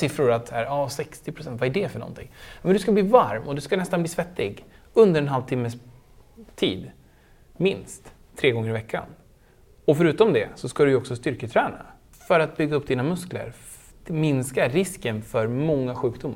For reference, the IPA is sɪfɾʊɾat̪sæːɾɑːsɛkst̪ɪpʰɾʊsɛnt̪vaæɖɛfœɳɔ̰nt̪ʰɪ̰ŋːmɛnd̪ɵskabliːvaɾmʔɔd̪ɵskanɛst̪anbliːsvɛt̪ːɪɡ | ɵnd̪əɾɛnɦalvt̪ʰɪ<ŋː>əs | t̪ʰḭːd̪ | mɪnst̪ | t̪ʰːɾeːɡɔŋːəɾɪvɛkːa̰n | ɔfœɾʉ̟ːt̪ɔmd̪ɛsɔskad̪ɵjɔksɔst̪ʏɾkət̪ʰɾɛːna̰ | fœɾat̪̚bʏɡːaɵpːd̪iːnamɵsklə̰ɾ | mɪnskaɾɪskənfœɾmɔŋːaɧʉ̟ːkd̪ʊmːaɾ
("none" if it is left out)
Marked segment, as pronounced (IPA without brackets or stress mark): mː